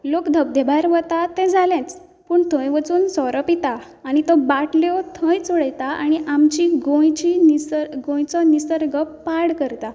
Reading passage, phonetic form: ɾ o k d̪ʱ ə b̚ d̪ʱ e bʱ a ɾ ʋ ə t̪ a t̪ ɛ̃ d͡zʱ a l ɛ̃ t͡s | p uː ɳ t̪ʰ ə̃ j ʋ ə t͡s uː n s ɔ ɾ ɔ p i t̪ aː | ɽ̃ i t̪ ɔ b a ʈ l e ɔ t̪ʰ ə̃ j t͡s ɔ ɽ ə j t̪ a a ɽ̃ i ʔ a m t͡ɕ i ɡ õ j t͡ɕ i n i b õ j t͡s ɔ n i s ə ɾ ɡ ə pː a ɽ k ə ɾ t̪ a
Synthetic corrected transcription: l o k d̪ʱ ə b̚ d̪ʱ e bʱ a ɾ ʋ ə t̪ a t̪ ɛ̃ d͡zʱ a l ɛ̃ t͡s | p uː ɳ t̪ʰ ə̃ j ʋ ə t͡s uː n s ɔ ɾ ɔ p i t̪ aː | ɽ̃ i t̪ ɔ b a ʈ l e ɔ t̪ʰ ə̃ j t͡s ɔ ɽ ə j t̪ a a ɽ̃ i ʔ a m t͡ɕ i ɡ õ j t͡ɕ i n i ɡ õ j t͡s ɔ n i s ə ɾ ɡ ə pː a ɽ k ə ɾ t̪ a